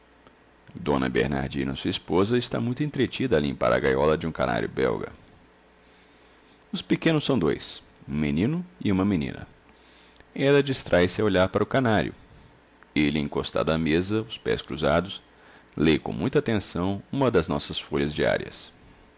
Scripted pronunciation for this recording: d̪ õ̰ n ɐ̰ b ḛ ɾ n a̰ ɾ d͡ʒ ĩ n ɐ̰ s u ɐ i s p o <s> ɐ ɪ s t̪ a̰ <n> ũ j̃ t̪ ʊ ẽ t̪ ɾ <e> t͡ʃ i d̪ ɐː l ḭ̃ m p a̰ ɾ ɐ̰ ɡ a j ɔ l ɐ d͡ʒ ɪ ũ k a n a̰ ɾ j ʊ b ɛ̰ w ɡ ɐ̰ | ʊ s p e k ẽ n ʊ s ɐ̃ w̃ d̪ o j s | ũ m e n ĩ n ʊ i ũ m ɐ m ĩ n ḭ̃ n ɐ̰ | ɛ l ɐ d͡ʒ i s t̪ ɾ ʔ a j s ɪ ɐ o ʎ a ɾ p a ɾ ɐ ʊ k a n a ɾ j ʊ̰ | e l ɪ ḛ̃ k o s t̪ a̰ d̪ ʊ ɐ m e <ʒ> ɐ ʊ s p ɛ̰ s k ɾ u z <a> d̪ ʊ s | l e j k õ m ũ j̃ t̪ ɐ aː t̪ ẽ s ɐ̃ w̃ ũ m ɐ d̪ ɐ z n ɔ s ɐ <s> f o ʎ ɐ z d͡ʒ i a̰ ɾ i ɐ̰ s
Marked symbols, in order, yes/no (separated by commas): no, no, yes, no, yes, yes